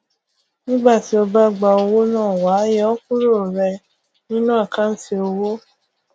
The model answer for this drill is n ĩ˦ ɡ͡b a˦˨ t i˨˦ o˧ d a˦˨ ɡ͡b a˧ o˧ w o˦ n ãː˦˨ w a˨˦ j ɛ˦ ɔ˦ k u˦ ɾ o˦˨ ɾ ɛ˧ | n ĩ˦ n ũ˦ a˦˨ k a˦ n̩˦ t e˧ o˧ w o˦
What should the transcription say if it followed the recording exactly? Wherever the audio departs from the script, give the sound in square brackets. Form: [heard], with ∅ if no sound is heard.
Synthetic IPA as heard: n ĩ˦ ɡ͡b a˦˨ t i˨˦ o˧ [b] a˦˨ ɡ͡b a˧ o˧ w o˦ n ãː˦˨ w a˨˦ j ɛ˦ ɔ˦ k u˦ ɾ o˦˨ ɾ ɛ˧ | n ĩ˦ n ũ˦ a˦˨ k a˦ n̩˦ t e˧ o˧ w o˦